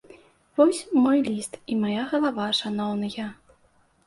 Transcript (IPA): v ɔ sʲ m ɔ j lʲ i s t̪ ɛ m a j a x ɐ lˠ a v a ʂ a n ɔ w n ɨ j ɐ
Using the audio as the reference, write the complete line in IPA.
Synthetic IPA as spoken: v ɔ sʲ m ɔ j lʲ i s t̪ i m a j a ɣ ɐ lˠ a v a ʂ a n ɔ w n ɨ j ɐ